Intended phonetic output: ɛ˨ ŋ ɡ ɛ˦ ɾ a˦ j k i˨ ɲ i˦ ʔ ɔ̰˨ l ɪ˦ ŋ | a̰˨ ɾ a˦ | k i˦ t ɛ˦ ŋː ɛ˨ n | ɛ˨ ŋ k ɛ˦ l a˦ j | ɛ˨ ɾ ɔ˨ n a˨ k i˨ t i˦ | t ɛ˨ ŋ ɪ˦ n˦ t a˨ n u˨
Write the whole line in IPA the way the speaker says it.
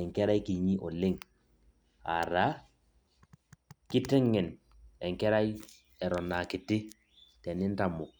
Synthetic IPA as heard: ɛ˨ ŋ k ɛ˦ ɾ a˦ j k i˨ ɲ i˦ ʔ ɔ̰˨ l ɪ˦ ŋ | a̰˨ ɾ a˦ | k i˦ t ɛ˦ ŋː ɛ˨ n | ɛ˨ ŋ k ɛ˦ ɾ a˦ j | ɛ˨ ɾ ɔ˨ n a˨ k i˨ t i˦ | t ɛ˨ n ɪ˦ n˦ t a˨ m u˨